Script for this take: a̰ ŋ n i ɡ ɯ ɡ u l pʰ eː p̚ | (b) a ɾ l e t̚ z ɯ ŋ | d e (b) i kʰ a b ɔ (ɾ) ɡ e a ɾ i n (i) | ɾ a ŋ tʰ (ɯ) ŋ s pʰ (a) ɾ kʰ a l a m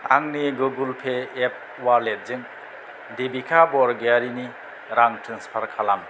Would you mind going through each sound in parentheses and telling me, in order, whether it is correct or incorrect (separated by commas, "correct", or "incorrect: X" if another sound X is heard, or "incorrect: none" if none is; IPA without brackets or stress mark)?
incorrect: w, correct, correct, correct, correct, correct